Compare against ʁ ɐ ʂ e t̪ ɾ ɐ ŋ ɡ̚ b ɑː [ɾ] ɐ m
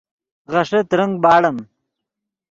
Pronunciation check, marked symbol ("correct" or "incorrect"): incorrect